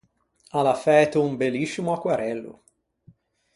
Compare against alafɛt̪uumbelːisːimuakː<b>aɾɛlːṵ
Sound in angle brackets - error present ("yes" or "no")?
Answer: yes